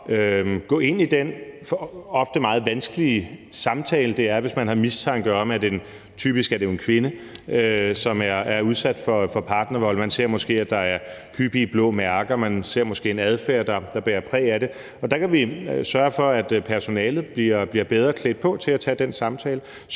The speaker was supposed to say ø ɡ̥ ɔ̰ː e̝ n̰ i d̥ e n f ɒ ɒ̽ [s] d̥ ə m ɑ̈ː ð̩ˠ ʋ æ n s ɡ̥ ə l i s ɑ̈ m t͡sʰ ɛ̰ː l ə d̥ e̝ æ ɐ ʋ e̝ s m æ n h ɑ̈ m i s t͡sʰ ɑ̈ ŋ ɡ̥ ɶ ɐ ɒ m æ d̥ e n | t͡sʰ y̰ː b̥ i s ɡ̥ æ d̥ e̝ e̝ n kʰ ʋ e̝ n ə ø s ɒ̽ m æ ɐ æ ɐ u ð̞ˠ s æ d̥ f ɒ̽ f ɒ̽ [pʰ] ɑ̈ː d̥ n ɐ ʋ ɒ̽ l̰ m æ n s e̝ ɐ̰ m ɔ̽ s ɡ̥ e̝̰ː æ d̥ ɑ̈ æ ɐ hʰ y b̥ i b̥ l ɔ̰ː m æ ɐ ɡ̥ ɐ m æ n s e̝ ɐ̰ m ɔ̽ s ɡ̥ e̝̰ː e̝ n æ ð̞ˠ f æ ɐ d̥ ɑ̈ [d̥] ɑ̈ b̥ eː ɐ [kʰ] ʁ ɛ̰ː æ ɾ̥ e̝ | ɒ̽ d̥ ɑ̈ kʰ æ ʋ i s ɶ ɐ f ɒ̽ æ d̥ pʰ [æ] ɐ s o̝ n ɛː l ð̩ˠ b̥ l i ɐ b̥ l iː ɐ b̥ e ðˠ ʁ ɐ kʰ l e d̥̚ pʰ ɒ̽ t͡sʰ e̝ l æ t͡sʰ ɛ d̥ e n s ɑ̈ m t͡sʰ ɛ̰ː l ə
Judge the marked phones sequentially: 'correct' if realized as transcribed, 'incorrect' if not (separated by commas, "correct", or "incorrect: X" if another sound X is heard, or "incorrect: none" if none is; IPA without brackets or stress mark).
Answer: incorrect: f, correct, correct, incorrect: pʰ, correct